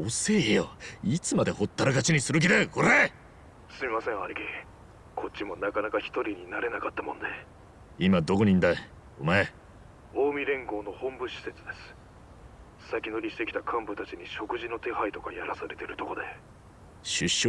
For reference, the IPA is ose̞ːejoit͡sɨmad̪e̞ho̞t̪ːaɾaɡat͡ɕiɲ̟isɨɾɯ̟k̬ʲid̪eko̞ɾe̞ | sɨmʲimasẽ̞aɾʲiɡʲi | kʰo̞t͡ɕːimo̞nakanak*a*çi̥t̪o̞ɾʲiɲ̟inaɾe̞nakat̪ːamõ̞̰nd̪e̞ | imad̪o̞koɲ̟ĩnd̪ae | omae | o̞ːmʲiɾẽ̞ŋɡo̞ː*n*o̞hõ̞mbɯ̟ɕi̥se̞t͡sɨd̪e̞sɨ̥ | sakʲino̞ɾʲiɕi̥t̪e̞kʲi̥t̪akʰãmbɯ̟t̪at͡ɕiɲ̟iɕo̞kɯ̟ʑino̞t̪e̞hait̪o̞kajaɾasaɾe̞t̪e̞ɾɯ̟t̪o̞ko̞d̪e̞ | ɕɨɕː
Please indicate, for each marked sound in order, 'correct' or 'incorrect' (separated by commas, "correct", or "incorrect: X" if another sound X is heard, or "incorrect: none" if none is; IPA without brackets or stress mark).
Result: correct, correct